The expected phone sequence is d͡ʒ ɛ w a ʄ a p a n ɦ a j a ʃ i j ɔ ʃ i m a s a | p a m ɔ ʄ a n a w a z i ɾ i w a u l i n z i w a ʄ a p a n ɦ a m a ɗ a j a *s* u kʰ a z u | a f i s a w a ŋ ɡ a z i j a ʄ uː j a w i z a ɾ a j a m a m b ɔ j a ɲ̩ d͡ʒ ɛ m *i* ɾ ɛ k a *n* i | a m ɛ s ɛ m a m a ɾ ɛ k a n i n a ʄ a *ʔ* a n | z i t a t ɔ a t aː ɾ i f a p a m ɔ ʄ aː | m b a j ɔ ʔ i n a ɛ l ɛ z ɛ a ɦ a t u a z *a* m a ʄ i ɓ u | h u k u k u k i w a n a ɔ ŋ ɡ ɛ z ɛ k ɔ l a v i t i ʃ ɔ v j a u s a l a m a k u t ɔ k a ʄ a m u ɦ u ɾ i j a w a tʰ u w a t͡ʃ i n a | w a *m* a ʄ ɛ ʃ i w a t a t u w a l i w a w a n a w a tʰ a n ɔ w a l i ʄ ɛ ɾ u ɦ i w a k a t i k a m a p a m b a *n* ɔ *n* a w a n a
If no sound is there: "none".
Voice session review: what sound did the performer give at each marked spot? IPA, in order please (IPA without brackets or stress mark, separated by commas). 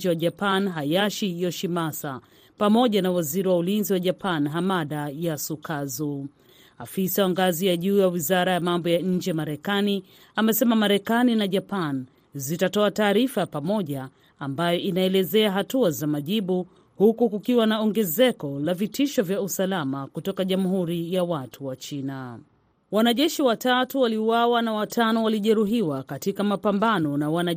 s, a, n, p, a, n, n, n